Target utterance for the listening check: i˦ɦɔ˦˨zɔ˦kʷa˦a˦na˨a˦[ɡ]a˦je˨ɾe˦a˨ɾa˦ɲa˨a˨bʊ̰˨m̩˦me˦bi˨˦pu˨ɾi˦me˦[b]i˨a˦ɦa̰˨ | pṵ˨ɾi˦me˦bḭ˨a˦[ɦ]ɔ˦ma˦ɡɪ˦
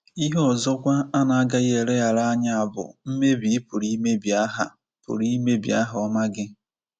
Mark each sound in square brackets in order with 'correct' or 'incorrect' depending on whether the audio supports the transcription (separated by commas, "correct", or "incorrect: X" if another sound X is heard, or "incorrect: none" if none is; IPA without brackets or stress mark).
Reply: correct, correct, correct